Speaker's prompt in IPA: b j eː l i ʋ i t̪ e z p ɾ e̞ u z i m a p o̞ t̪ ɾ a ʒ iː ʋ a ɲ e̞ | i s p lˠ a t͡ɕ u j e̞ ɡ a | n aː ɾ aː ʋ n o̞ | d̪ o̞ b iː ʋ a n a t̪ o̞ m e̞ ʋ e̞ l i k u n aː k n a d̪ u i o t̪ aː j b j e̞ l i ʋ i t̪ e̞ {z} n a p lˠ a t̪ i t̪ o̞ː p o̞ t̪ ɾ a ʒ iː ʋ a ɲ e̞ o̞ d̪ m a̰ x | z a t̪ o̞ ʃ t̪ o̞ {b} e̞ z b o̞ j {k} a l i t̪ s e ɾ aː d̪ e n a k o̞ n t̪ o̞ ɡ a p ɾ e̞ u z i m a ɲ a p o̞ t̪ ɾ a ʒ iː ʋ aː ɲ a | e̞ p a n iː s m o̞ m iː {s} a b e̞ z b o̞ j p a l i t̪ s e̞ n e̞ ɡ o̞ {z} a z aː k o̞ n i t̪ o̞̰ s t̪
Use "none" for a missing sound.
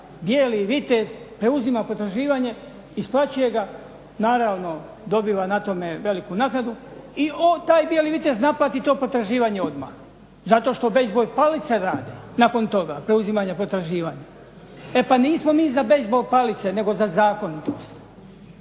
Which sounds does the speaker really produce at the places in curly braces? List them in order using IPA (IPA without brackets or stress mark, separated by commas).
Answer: z, b, p, z, z